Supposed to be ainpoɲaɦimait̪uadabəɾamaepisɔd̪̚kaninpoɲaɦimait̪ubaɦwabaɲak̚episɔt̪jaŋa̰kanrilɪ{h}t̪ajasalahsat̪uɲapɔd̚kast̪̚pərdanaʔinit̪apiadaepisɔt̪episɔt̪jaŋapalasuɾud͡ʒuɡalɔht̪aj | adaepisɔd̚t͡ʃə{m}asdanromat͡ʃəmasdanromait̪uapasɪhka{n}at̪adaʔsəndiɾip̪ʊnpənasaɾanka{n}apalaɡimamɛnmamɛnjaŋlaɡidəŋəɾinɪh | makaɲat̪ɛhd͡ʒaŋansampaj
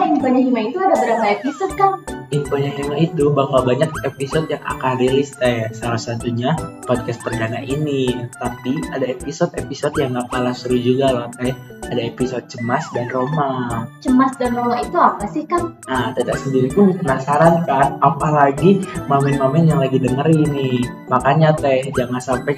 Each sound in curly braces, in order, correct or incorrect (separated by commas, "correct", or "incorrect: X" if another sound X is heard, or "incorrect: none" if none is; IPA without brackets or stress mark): incorrect: s, correct, correct, correct